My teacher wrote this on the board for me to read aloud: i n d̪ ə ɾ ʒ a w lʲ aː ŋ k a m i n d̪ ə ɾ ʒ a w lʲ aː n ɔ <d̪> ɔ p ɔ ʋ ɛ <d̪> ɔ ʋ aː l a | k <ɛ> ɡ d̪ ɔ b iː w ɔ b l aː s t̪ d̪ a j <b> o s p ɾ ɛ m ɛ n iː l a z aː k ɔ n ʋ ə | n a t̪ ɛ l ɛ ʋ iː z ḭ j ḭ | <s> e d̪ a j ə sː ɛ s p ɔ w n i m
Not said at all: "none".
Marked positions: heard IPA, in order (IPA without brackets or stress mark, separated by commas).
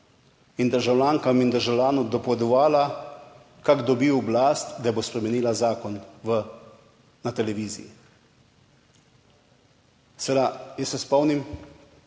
d̪, d̪, a, b, s